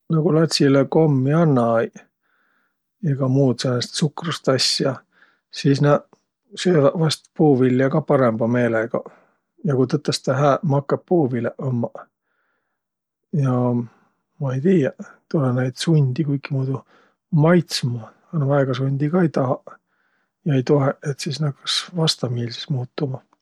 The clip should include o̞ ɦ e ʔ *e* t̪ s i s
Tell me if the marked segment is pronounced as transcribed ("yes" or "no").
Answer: yes